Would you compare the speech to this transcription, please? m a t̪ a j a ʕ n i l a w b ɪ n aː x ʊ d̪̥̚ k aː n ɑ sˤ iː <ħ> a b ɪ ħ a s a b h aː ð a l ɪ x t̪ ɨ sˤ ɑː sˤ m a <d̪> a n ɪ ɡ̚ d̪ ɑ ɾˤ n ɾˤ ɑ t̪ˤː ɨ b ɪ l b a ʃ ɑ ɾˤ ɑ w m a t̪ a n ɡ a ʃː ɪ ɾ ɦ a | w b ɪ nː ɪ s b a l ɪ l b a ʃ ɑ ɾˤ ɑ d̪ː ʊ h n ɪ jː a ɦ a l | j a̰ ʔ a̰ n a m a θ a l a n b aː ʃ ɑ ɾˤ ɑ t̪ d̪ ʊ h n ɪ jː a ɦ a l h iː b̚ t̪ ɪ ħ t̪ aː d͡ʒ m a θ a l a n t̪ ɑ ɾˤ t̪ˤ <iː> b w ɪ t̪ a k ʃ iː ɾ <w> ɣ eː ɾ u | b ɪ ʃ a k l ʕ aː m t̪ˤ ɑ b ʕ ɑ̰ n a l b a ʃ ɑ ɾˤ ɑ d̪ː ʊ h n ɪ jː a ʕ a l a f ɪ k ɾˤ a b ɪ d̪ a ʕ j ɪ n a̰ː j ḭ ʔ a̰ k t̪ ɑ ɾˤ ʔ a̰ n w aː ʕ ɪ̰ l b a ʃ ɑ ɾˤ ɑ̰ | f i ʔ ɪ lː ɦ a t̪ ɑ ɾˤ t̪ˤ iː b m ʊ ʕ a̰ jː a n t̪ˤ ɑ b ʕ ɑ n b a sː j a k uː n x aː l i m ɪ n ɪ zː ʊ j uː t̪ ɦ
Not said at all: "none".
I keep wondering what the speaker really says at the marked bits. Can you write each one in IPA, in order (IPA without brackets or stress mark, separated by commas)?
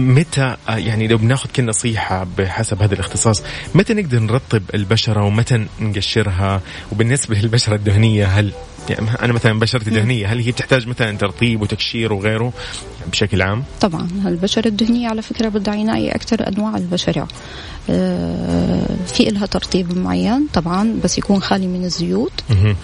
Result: ħ, t̪, iː, w